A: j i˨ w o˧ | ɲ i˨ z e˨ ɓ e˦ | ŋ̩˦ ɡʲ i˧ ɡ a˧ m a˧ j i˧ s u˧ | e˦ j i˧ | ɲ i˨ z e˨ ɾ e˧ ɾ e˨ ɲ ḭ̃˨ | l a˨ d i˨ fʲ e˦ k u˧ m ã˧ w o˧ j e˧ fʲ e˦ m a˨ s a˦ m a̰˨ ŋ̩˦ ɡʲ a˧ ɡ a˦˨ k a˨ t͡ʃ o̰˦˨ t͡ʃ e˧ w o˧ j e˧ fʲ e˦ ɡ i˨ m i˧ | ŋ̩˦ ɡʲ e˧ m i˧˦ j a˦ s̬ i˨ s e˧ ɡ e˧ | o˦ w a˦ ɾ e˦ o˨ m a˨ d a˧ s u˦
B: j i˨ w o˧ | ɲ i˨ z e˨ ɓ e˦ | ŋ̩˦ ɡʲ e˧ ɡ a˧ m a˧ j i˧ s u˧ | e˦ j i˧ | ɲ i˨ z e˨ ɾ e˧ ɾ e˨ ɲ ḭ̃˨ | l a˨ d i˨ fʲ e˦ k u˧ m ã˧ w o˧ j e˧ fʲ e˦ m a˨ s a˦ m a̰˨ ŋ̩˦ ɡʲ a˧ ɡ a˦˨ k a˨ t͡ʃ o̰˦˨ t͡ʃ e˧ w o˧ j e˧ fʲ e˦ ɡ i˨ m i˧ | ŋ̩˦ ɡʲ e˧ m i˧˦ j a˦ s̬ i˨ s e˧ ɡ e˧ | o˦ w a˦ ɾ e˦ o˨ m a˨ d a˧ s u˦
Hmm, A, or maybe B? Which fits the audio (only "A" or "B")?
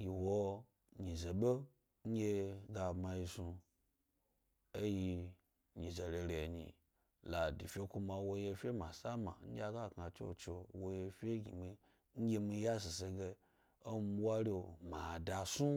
B